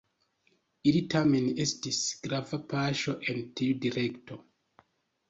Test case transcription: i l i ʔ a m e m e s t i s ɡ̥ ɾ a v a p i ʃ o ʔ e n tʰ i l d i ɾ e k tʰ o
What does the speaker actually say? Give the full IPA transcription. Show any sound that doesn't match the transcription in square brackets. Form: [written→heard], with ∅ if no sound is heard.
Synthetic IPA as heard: i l i [ʔ→t] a m e [m→n] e s t i s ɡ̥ ɾ a v a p [i→a] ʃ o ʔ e n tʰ i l d i ɾ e k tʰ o